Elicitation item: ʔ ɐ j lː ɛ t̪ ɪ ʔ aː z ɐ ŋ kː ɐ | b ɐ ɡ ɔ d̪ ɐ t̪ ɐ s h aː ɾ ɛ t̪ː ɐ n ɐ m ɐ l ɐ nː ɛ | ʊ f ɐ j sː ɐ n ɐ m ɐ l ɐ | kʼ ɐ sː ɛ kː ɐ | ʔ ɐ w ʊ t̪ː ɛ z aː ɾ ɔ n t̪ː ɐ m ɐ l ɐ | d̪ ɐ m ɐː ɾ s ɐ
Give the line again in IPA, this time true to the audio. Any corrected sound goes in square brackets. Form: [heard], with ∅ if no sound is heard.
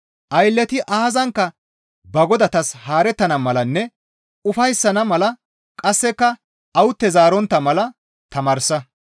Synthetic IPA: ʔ ɐ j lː ɛ t̪ ɪ ʔ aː z ɐ ŋ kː ɐ | b ɐ ɡ ɔ d̪ ɐ t̪ ɐ s h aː ɾ ɛ t̪ː ɐ n ɐ m ɐ l ɐ nː ɛ | ʊ f ɐ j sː ɐ n ɐ m ɐ l ɐ | kʼ ɐ sː ɛ kː ɐ | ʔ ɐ w ʊ t̪ː ɛ z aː ɾ ɔ n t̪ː ɐ m ɐ l ɐ | [t̪] ɐ m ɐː ɾ s ɐ